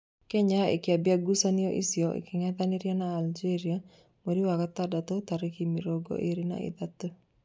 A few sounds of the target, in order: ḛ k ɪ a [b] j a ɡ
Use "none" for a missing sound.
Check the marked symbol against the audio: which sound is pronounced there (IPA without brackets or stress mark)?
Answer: b